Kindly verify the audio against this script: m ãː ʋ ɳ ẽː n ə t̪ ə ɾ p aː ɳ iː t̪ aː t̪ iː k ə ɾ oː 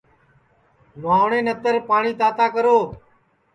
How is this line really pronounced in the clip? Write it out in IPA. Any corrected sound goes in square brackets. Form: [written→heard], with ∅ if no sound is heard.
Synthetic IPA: m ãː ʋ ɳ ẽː n ə t̪ ə ɾ p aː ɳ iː t̪ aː t̪ [iː→aː] k ə ɾ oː